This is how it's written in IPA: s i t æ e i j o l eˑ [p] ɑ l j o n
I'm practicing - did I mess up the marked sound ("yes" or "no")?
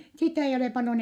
no